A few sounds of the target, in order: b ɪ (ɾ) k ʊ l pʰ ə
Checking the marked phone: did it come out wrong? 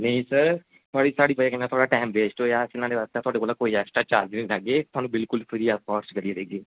yes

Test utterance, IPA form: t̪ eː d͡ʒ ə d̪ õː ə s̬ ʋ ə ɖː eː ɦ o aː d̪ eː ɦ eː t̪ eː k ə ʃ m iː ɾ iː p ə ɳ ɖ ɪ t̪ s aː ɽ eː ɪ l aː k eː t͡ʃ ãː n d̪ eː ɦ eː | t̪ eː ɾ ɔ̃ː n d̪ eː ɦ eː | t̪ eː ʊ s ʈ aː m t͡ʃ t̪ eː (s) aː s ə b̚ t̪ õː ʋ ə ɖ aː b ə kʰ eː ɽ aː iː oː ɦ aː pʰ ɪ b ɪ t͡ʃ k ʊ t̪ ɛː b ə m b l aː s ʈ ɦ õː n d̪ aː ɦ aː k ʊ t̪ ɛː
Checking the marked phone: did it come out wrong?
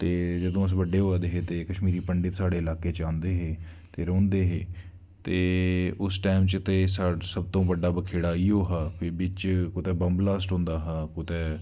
no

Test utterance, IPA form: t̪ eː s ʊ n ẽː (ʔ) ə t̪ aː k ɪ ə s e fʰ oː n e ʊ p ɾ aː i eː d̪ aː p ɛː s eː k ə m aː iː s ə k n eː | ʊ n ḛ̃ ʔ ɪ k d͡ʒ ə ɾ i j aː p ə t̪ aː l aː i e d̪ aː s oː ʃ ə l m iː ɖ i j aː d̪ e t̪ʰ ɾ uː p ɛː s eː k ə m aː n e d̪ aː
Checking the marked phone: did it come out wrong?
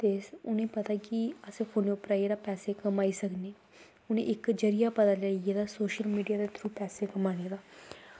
yes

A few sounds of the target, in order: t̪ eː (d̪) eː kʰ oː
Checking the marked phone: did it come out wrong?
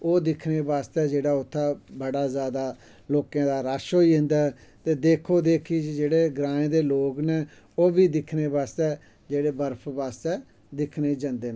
no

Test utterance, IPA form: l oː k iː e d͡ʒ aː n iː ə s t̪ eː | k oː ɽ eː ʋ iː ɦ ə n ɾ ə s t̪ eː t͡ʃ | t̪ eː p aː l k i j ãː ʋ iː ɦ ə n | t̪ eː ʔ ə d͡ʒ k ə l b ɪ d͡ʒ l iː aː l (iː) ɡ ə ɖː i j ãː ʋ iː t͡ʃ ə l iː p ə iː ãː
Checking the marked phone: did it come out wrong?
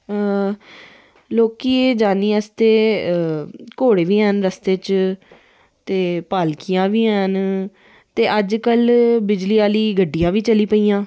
no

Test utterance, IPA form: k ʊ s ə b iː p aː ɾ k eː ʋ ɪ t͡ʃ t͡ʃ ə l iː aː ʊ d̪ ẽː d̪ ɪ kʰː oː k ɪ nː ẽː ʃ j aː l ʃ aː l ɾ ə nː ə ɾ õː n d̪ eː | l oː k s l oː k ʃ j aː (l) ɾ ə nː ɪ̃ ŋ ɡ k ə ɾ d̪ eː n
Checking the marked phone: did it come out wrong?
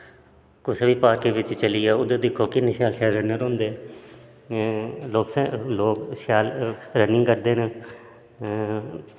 no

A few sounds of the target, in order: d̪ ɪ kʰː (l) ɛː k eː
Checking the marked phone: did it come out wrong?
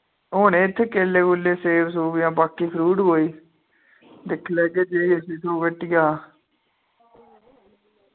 no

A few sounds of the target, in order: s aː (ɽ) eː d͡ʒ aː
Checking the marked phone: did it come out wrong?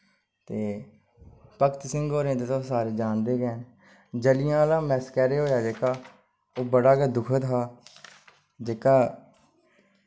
yes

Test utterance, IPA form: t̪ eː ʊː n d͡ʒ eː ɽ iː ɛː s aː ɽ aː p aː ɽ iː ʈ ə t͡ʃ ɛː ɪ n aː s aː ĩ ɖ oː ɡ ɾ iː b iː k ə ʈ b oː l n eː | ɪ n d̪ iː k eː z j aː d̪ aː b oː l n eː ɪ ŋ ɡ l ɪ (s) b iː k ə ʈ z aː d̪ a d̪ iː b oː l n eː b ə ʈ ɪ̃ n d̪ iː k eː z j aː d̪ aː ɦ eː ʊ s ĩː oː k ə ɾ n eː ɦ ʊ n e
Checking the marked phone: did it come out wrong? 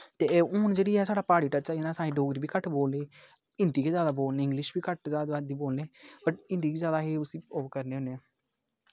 yes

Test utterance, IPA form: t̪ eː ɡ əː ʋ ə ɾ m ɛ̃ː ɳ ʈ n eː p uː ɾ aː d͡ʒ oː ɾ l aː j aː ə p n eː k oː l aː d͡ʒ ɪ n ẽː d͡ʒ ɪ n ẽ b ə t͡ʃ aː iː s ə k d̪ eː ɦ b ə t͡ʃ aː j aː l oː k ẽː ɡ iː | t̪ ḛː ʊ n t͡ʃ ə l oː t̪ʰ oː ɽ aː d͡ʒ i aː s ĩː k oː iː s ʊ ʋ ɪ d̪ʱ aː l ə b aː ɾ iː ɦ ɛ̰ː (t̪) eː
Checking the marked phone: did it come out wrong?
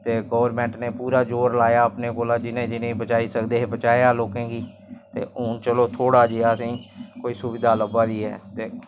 no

